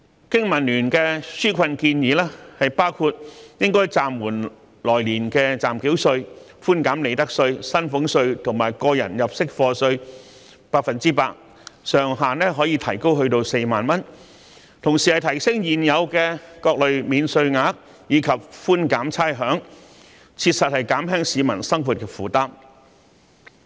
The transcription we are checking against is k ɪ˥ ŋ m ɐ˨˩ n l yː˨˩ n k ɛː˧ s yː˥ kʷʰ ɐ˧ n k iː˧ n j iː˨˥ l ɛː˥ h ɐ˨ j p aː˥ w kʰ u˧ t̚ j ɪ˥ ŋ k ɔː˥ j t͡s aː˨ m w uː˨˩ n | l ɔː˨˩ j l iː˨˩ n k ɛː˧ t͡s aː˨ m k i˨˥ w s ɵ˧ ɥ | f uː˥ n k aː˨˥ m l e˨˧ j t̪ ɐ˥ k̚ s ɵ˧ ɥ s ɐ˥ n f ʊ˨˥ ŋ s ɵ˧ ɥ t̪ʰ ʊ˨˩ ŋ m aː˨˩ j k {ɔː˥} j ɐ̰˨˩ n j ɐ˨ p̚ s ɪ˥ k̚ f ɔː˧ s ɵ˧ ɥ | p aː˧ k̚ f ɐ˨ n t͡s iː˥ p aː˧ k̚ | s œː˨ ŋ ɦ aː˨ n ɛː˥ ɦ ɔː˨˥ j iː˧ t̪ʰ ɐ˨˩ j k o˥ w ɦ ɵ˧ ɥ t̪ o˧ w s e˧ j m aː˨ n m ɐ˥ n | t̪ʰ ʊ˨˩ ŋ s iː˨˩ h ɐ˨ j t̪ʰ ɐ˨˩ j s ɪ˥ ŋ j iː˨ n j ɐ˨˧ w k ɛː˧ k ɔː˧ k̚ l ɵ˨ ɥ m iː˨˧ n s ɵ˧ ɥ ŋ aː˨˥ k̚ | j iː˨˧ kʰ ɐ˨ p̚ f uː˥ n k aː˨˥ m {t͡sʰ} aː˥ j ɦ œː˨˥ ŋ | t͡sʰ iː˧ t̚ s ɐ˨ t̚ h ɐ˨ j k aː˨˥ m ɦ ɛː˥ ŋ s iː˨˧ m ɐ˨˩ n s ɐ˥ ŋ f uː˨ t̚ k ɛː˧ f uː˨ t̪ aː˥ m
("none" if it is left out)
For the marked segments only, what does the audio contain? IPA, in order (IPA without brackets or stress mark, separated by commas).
ɔː˧, t͡sʰ